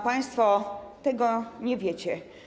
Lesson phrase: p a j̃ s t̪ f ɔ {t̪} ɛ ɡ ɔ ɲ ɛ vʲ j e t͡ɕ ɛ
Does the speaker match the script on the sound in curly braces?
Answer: yes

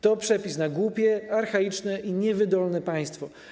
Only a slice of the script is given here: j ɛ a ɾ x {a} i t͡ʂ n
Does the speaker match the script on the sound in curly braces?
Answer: yes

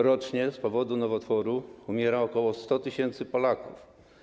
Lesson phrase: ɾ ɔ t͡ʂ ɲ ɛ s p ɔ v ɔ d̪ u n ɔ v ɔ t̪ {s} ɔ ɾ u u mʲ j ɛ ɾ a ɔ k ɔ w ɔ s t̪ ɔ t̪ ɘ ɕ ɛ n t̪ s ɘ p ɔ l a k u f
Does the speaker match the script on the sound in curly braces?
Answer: no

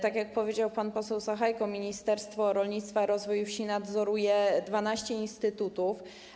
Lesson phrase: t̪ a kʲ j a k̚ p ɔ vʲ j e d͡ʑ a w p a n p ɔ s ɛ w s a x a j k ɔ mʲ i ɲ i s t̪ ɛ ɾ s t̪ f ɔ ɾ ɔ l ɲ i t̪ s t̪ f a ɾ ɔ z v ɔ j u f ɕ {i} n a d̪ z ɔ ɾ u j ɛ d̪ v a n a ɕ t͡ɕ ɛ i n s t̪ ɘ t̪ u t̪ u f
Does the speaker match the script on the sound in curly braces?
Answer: yes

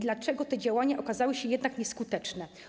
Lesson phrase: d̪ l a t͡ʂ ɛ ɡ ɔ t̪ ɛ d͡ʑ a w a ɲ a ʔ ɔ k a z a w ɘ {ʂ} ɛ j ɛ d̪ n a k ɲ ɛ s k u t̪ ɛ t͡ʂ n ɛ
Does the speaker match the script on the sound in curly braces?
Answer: no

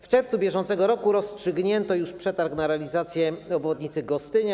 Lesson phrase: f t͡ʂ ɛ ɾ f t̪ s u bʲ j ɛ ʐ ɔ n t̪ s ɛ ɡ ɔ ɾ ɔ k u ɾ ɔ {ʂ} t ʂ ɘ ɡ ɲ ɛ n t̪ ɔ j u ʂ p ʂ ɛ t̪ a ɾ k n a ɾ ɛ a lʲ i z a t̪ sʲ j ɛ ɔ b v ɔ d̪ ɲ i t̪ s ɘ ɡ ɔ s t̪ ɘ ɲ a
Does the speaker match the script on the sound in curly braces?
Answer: no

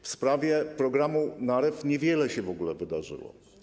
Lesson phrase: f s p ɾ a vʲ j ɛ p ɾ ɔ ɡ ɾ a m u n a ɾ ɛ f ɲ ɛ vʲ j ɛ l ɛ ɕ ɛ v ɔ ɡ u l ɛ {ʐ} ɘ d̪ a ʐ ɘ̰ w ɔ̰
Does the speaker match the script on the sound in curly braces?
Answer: no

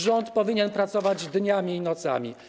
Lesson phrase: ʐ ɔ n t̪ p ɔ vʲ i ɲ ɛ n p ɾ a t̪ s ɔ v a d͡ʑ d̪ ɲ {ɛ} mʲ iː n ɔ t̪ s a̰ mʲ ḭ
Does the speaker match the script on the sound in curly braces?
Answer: no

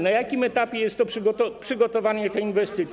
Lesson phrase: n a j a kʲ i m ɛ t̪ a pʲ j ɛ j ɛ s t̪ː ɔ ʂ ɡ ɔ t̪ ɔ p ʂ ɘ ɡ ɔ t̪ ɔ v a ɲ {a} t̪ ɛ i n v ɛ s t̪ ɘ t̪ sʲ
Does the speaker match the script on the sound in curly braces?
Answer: no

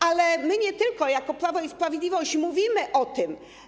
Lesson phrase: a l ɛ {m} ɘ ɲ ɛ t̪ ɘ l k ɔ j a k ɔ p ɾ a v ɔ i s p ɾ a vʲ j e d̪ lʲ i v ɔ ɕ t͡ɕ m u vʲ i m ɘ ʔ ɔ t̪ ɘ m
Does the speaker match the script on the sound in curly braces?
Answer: yes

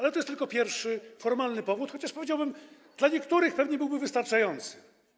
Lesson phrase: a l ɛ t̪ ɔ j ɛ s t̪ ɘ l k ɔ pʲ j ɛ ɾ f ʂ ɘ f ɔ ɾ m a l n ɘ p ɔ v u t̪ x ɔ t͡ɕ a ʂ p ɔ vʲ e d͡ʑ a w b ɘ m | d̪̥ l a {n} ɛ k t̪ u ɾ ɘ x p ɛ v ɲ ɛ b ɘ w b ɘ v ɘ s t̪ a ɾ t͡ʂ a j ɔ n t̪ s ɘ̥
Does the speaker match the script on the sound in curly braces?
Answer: no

